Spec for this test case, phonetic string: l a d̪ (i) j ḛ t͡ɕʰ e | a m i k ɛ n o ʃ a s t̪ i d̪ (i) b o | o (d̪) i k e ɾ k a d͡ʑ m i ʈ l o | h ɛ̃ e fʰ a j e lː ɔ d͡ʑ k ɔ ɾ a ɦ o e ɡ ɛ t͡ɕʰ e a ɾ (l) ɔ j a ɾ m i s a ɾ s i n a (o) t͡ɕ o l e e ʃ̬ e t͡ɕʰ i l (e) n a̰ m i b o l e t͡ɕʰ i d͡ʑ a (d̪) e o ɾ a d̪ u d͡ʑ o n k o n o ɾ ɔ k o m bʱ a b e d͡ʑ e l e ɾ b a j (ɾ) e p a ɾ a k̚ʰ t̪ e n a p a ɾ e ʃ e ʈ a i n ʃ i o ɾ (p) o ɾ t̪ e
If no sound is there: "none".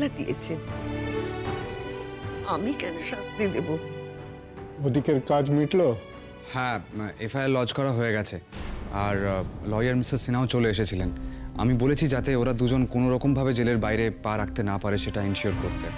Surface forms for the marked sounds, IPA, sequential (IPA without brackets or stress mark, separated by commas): i, e, d̪, l, o, e, t̪, ɾ, k